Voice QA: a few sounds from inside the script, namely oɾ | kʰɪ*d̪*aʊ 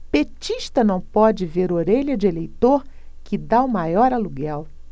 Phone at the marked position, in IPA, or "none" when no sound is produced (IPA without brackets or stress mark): d̪